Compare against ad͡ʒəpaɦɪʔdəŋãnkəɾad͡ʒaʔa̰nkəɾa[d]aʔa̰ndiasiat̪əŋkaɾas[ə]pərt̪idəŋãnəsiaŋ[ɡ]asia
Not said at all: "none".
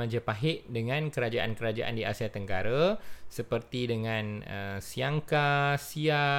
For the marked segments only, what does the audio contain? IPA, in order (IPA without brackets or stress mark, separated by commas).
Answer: d͡ʒ, ə, k